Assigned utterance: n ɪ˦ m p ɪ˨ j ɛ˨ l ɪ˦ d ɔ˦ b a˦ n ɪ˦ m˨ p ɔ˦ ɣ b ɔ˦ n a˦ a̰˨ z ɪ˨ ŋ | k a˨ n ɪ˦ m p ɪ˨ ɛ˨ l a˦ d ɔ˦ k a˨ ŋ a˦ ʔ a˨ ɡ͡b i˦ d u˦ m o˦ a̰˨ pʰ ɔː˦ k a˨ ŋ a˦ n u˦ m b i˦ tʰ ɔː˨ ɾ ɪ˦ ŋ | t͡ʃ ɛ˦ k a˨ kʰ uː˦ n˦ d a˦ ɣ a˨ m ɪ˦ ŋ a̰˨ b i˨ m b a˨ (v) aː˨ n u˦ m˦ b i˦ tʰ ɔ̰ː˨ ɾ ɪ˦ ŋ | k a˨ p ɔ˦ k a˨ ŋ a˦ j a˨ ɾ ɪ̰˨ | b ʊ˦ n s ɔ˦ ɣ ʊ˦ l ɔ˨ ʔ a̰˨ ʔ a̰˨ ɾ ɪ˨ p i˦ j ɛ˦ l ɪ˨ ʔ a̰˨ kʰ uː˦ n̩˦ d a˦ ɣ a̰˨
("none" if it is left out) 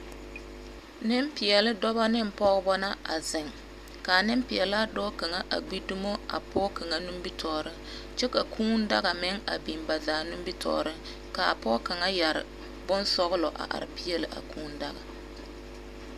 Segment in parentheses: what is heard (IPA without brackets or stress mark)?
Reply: z